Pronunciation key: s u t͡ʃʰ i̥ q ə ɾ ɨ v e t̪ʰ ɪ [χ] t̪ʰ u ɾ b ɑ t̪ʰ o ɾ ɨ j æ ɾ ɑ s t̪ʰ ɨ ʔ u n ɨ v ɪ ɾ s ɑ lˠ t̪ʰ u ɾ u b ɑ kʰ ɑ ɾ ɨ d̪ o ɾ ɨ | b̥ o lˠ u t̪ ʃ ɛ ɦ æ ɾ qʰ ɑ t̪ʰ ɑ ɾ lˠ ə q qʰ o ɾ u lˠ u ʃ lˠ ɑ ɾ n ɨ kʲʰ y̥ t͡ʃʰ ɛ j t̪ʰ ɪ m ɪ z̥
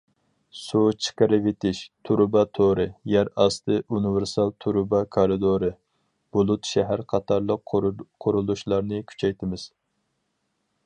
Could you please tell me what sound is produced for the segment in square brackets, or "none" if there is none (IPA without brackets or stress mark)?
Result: ʃ